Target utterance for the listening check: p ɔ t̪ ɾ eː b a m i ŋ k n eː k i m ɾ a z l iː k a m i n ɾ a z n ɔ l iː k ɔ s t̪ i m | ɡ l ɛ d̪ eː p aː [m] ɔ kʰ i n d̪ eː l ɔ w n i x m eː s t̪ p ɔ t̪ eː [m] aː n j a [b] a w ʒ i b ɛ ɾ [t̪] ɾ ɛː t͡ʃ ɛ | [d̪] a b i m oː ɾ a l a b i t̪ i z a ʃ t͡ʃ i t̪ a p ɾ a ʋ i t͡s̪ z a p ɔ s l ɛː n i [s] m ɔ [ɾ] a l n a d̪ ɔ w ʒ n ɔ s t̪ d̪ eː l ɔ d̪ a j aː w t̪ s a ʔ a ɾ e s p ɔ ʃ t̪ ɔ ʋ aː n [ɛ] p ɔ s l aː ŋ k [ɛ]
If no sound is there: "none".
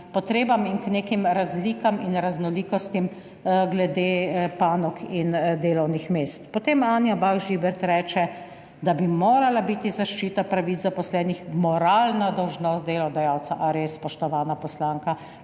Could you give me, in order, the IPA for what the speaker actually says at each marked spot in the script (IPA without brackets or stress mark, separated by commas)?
n, m, b, t̪, d̪, x, ɾ, a, a